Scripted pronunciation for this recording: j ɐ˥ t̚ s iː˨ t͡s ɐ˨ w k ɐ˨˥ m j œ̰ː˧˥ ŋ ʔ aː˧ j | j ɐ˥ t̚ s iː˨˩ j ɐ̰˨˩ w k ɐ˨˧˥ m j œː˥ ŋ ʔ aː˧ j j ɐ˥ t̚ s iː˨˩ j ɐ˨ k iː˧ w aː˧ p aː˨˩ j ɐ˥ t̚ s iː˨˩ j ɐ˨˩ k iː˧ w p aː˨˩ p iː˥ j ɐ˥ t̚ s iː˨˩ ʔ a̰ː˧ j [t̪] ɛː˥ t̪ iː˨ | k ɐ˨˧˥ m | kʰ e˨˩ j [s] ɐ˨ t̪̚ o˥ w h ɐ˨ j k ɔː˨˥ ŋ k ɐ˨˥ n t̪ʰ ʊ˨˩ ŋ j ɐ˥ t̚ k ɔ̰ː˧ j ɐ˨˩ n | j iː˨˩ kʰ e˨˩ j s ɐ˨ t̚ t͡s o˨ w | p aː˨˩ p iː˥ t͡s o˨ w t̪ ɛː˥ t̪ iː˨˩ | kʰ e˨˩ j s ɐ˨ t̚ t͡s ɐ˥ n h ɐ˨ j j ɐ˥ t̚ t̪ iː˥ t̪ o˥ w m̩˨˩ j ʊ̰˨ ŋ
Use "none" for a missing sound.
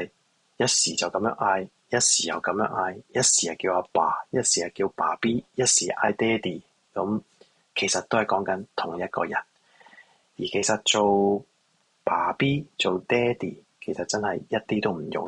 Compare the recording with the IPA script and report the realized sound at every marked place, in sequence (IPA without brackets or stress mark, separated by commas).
t̪, s